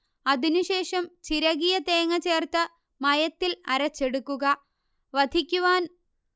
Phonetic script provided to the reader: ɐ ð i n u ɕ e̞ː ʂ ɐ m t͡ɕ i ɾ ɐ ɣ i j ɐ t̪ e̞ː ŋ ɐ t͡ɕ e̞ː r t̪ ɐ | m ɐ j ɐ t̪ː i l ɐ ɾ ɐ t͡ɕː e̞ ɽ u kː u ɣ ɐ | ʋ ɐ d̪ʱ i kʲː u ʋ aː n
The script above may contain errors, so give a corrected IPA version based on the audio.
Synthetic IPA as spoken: ɐ ð i n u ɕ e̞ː ʂ ɐ m t͡ɕ i ɾ ɐ ɣ i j ɐ t̪ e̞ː ŋ ɐ t͡ɕ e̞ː r t̪ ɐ | m ɐ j ɐ t̪ː i l ɐ ɾ ɐ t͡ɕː e̞ ɽ u kː u ɣ ɐ | ʋ ɐ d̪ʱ i kʲː u ʋ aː n